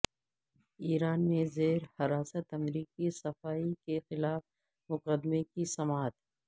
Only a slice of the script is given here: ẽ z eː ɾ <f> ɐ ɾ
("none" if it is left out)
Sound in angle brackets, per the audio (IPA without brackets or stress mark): h